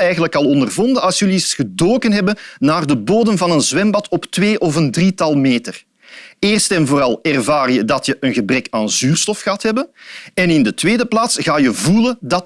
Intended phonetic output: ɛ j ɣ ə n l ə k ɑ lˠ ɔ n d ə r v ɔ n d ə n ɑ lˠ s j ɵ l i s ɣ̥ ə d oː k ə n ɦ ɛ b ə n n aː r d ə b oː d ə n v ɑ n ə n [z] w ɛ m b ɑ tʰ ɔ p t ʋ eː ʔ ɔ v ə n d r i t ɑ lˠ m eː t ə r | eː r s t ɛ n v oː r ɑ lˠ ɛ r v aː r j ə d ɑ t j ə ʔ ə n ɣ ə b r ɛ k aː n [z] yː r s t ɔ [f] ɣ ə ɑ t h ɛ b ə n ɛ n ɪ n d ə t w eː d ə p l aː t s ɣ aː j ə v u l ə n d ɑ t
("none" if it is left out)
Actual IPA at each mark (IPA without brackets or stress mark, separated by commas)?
z, z, f